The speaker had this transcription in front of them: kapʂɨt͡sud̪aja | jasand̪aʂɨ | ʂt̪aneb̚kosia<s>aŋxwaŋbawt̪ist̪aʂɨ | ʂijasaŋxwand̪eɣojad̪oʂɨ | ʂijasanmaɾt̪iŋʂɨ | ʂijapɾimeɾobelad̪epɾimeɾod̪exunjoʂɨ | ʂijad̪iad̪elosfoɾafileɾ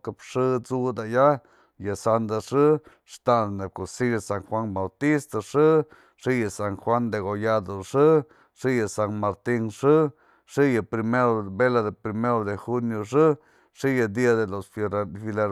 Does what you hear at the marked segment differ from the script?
no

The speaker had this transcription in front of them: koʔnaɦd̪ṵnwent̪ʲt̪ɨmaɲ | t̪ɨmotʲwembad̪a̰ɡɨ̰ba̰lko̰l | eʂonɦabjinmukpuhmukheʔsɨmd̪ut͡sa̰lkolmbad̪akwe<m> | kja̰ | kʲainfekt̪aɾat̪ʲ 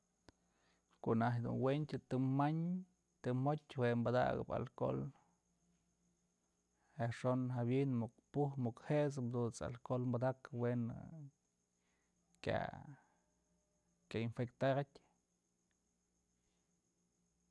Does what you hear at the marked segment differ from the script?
yes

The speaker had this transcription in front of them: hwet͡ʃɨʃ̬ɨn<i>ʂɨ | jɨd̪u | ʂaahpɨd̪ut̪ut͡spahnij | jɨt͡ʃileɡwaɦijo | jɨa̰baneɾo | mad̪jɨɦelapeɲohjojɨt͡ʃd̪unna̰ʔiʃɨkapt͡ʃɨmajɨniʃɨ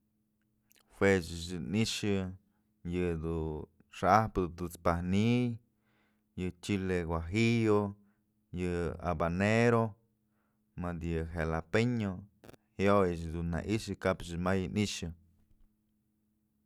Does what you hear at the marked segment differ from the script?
no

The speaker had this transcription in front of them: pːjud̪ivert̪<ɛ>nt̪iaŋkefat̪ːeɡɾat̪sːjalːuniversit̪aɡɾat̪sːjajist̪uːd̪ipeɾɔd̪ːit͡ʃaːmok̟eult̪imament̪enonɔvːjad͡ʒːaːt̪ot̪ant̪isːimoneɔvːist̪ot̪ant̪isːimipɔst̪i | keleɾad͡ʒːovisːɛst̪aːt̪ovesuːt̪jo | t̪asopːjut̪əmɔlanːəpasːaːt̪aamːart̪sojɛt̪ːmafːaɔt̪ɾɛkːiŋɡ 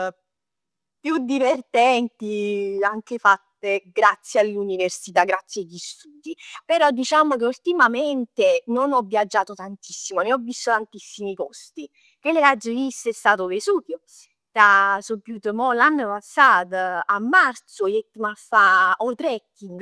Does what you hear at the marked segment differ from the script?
no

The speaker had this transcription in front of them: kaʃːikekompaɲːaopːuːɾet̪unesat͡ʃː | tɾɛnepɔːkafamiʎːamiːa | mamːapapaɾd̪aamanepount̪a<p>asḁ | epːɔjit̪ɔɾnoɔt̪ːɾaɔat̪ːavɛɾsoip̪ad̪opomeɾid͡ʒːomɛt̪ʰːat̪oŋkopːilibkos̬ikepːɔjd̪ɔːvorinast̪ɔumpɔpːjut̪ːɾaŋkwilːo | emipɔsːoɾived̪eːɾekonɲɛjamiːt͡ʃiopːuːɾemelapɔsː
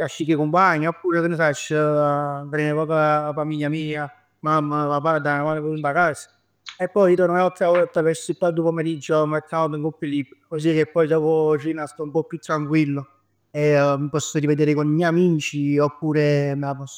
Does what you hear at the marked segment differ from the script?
yes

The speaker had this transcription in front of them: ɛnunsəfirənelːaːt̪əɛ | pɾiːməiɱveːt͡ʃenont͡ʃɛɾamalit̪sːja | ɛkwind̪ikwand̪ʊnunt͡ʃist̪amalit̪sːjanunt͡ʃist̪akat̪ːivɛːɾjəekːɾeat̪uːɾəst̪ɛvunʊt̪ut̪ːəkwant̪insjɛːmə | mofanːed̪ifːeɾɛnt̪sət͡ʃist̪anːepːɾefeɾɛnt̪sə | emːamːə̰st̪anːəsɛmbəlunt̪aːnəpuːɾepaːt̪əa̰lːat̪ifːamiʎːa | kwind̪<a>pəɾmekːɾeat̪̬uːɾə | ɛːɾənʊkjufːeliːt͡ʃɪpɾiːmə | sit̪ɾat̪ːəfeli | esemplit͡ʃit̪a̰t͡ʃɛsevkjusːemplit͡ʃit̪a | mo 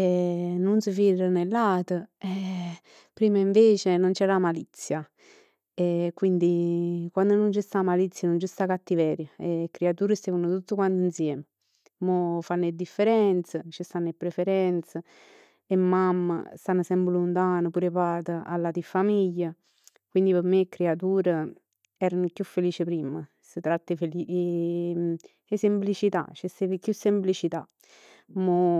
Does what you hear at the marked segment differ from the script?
yes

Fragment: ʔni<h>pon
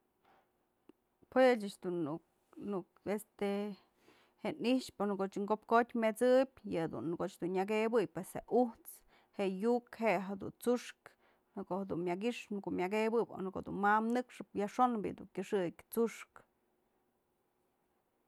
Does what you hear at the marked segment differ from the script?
yes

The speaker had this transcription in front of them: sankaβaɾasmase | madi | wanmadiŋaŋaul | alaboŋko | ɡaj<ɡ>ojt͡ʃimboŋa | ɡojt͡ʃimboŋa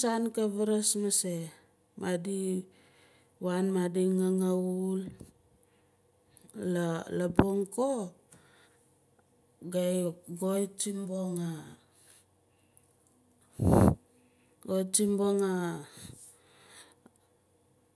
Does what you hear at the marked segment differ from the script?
no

